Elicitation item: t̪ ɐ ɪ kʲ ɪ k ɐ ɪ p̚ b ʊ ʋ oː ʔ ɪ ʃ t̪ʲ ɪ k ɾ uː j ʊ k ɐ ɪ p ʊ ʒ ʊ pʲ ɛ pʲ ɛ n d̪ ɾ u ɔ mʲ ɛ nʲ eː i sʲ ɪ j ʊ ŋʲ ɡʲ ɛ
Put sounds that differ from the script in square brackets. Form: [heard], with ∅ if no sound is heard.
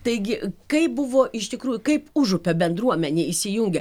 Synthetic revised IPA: t̪ ɐ ɪ [ɡʲ] ɪ k ɐ ɪ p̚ b ʊ ʋ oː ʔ ɪ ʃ t̪ʲ ɪ k ɾ uː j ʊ k ɐ ɪ p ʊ ʒ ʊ pʲ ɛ [bʲ] ɛ n d̪ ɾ u ɔ mʲ ɛ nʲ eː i sʲ ɪ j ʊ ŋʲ ɡʲ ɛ